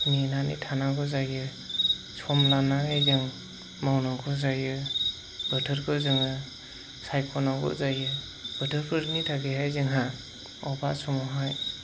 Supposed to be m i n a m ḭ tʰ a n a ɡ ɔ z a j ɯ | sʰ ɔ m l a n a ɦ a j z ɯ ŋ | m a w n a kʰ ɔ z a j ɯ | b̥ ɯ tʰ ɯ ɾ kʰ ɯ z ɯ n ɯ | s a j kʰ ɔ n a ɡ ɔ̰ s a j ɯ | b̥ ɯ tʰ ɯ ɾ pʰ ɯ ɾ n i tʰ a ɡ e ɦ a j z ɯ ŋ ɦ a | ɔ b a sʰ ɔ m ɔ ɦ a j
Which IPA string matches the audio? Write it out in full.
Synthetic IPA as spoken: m i n a n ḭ tʰ a n a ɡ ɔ z a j ɯ | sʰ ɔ m l a n a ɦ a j z ɯ ŋ | m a w n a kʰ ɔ z a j ɯ | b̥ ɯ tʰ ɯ ɾ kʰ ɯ z ɯ ŋ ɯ | s a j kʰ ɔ n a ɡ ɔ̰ z a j ɯ | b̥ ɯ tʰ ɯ ɾ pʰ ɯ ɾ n i tʰ a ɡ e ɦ a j z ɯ ŋ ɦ a | ɔ b a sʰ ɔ m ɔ ɦ a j